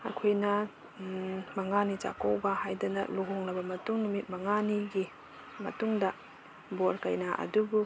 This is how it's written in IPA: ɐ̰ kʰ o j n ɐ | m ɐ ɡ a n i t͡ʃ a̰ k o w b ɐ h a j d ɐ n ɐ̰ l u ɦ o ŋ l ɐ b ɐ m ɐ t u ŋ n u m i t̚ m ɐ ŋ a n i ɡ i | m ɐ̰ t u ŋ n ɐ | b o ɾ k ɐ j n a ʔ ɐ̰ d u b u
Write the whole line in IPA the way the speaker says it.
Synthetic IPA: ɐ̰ kʰ o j n ɐ | m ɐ ŋ a n i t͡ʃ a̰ k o w b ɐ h a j d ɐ n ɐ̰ l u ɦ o ŋ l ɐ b ɐ m ɐ t u ŋ n u m i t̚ m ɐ ŋ a n i ɡ i | m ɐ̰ t u ŋ d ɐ | b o ɾ k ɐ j n a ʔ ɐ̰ d u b u